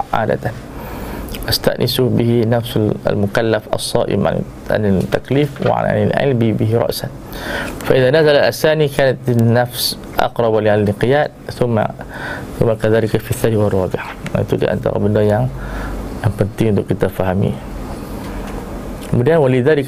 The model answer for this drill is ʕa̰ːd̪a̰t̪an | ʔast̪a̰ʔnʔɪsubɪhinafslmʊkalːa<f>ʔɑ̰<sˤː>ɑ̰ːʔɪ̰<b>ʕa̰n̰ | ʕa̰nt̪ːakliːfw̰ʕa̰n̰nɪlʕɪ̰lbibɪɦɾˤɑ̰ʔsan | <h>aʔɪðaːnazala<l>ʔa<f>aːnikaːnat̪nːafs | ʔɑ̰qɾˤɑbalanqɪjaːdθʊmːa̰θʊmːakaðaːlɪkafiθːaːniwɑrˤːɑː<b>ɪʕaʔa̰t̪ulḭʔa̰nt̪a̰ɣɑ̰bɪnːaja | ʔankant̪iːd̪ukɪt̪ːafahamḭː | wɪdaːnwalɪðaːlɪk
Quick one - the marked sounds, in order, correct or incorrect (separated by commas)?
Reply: correct, correct, incorrect, incorrect, correct, incorrect, correct